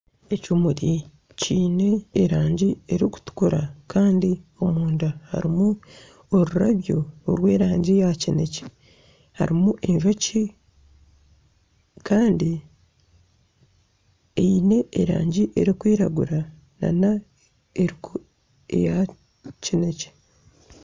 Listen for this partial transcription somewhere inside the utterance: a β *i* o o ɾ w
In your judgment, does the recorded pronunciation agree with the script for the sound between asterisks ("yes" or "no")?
no